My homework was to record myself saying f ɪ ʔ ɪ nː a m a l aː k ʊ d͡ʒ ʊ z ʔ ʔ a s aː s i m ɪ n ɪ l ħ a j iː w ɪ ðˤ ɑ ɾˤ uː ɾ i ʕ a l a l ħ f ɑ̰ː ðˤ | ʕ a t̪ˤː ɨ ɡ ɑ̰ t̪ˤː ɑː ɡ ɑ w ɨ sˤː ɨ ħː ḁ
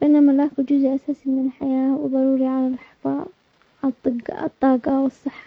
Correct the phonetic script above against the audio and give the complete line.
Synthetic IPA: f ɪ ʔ ɪ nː a m a l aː k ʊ d͡ʒ ʊ z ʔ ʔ a s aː s i m ɪ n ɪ l ħ a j aː w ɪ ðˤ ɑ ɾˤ uː ɾ i ʕ a l a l ħ f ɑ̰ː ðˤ | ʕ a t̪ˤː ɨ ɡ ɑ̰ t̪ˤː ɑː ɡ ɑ w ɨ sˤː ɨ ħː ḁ